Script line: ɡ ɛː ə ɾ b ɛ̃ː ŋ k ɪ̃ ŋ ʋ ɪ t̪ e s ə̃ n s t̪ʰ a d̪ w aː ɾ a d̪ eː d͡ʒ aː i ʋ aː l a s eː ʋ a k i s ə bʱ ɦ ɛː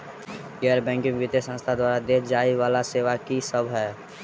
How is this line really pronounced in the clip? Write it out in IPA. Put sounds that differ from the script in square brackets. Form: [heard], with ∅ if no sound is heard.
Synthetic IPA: ɡ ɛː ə ɾ b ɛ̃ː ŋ k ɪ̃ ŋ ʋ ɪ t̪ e s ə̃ n s t̪ʰ a d̪ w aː ɾ a d̪ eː d͡ʒ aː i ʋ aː l a s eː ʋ a k i s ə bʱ ɦ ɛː